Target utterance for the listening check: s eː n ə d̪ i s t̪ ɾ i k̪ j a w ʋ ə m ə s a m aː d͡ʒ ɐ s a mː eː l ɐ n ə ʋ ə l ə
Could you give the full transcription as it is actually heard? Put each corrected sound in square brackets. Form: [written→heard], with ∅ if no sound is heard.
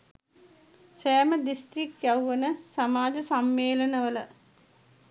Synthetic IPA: s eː [n→m] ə d̪ i s t̪ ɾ i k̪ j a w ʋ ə [m→n] ə s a m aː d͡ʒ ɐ s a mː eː l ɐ n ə ʋ ə l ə